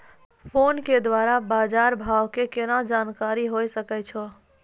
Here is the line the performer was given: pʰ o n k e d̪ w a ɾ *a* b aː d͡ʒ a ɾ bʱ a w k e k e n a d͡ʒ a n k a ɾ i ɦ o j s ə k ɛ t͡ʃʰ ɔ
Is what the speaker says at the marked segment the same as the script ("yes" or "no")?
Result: yes